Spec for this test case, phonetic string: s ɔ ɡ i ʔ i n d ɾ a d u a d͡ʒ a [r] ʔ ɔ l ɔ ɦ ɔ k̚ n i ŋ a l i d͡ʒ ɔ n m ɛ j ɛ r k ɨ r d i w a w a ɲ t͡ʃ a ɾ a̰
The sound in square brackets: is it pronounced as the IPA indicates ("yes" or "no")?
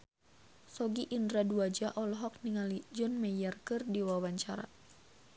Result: no